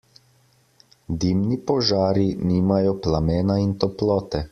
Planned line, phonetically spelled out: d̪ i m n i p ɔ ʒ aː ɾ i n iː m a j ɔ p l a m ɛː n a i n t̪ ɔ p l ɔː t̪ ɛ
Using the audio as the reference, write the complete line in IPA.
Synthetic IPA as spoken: d̪ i m n i p ɔ ʒ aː ɾ i n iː m a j ɔ p l a m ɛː n a i n t̪ ɔ p l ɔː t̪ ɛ

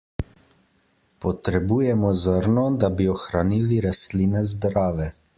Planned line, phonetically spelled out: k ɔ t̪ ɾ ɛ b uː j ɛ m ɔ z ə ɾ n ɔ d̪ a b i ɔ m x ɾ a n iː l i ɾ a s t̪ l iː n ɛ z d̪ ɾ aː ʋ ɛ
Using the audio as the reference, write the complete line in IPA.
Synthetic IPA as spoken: p ɔ t̪ ɾ ɛ b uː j ɛ m ɔ z ə ɾ n ɔ d̪ a b i ɔ x ɾ a n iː l i ɾ a s t̪ l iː n ɛ z d̪ ɾ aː ʋ ɛ

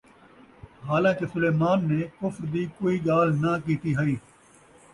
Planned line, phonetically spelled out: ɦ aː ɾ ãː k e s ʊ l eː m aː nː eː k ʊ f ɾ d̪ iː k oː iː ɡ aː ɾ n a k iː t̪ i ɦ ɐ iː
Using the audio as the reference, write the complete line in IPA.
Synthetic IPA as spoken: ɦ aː l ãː k e s ʊ l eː m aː nː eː k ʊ f ɾ d̪ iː k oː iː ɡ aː l n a k iː t̪ i ɦ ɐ iː

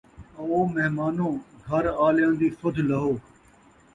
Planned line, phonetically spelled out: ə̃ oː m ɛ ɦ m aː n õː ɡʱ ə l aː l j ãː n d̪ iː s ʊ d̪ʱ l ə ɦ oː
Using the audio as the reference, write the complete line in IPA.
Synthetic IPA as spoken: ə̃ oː m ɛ ɦ m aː n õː ɡʱ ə ɾ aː l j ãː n d̪ iː s ʊ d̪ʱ l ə ɦ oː

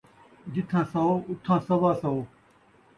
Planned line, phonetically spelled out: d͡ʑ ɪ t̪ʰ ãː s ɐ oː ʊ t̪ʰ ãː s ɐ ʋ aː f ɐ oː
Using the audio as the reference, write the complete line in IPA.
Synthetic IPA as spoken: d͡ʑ ɪ t̪ʰ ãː s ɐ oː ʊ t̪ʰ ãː s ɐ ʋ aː s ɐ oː

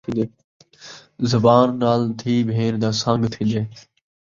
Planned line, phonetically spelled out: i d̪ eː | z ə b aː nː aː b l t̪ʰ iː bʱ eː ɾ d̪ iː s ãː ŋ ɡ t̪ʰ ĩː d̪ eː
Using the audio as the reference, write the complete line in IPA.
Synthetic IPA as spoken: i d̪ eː | z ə b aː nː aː l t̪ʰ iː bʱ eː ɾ d̪ aː s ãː ŋ ɡ t̪ʰ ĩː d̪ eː

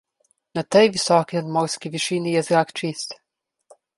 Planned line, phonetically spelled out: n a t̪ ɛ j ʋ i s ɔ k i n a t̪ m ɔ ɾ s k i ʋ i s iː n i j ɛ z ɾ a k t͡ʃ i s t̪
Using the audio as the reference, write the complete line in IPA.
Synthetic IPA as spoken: n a t̪ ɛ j ʋ i s ɔ k i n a d̪ m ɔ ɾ s k i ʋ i ʃ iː n i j ɛ z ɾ a k t͡ʃ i s t̪

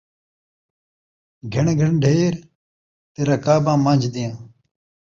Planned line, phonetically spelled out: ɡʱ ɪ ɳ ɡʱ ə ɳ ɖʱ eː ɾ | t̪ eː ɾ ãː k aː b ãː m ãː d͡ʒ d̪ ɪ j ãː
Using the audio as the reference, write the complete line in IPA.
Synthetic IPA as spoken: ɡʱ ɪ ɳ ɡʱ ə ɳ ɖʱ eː ɾ | t̪ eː ɾ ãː k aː b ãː m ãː d͡ʒ d̪ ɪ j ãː

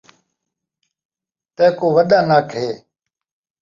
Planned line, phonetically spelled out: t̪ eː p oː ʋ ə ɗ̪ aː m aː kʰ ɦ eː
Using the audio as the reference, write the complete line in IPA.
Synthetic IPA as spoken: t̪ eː k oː ʋ ə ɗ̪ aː n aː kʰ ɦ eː

